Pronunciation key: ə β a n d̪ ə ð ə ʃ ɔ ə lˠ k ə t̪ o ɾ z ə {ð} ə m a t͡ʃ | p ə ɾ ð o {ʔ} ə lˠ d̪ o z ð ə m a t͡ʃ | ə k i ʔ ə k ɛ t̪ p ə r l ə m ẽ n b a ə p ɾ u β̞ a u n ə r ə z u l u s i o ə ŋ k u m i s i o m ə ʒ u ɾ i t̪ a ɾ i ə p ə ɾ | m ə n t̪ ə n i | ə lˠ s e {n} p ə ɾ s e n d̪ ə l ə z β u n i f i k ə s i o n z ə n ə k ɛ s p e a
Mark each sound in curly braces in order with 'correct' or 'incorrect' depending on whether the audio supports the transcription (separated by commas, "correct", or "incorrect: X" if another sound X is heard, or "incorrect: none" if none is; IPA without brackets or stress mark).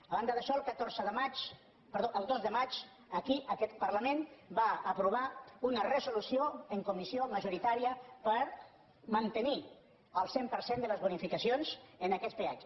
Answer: correct, correct, incorrect: m